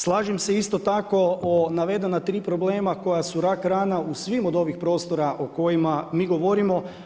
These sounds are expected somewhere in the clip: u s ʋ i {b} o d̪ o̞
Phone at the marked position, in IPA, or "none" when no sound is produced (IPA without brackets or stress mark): m